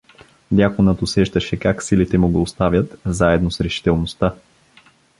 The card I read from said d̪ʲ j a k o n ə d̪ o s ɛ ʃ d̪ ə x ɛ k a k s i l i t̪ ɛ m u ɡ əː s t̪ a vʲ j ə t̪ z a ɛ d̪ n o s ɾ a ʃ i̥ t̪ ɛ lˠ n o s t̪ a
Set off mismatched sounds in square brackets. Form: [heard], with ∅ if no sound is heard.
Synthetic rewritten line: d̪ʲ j a k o n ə [t̪] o s ɛ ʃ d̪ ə [ʃ] ɛ k a k s i l i t̪ ɛ m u ɡ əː s t̪ a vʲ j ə t̪ z a ɛ d̪ n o s ɾ [ɛ] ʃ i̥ t̪ ɛ lˠ n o s t̪ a